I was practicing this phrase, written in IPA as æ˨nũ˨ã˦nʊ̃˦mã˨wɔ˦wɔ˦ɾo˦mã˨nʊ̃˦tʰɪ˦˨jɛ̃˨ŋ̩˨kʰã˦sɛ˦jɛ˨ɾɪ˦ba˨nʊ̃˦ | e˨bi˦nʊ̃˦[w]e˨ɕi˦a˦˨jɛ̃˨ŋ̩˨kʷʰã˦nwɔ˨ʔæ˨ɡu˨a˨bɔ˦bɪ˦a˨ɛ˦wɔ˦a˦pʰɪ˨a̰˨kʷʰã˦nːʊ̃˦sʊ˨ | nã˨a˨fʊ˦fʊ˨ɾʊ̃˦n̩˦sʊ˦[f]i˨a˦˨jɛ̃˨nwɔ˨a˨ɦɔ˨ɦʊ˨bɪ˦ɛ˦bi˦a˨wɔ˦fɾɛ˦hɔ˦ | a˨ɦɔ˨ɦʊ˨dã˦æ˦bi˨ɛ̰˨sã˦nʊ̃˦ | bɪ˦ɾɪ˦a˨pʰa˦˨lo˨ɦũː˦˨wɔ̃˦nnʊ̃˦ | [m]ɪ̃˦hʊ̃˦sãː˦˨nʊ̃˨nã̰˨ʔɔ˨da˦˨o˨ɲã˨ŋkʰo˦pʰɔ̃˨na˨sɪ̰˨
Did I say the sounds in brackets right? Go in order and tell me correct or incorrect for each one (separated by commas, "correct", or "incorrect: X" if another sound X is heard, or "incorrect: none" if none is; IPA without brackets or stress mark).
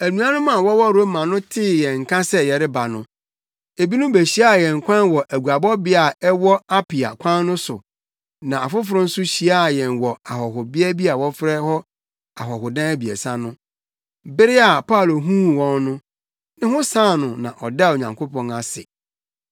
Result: incorrect: b, incorrect: ɕ, incorrect: n